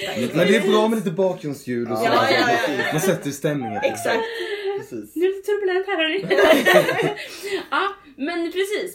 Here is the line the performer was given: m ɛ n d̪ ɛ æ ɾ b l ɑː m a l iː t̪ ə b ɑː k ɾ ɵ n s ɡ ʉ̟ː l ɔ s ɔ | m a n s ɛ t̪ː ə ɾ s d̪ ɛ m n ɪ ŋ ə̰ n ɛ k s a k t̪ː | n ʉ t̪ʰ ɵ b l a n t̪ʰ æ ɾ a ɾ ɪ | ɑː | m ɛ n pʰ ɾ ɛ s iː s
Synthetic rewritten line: m ɛ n d̪ ɛ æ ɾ b ɾ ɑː m ɛ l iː t̪ ə b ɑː k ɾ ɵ n s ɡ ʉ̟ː l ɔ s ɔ | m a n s ɛ t̪ː ə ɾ s t̪ ɛ m n ɪ ŋ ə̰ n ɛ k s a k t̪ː | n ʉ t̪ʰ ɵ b l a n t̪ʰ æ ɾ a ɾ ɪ | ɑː | m ɛ n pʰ ɾ ɛ s iː s